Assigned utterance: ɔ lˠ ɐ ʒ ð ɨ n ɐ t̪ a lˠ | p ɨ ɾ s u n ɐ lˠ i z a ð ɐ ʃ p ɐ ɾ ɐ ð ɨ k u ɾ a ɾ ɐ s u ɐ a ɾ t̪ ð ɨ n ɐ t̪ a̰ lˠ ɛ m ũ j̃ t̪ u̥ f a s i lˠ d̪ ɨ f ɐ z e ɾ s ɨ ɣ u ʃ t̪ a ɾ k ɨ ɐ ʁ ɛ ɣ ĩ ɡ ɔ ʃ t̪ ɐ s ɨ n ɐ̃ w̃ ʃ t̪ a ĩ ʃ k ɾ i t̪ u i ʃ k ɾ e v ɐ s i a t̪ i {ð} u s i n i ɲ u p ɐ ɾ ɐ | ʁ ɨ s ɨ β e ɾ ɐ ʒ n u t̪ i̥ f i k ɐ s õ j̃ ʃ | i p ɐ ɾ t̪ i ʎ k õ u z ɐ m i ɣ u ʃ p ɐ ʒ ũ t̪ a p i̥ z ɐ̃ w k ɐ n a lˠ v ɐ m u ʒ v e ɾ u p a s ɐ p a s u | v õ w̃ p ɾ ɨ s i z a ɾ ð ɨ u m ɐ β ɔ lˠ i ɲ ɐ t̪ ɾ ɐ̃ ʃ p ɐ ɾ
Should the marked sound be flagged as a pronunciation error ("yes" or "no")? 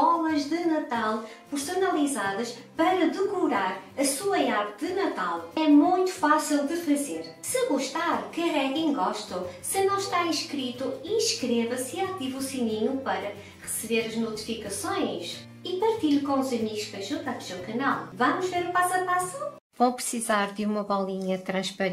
yes